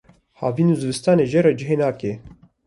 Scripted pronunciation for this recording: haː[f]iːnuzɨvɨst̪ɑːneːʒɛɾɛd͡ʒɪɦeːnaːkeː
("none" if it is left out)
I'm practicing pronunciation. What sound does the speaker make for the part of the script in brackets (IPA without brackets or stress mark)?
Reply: v